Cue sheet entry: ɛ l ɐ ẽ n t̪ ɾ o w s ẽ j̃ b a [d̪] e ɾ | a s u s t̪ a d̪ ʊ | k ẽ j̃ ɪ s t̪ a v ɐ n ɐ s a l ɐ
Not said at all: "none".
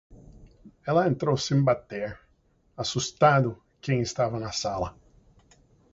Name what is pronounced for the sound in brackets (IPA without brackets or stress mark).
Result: t̪